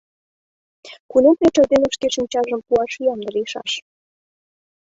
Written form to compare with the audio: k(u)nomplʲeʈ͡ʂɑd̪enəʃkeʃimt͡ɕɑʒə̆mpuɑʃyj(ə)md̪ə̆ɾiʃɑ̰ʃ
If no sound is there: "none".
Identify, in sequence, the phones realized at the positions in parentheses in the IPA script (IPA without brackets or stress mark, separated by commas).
u, ɑ